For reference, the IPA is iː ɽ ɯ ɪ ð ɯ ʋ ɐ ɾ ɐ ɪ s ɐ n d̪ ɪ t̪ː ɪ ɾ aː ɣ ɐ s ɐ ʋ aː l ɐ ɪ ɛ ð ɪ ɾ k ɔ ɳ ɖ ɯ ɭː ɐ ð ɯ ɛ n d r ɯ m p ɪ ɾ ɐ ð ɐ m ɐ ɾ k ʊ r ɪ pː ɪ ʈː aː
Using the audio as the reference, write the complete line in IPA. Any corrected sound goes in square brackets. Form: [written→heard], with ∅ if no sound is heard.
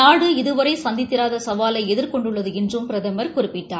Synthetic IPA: [iː→aː] ɽ ɯ ɪ ð ɯ ʋ ɐ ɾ ɐ ɪ s ɐ n d̪ ɪ t̪ː ɪ ɾ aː [ɣ→ð] ɐ s ɐ ʋ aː l ɐ ɪ ɛ ð ɪ ɾ k ɔ ɳ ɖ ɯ ɭː ɐ ð ɯ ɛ n d r ɯ m p ɪ ɾ ɐ ð ɐ m ɐ ɾ k ʊ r ɪ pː ɪ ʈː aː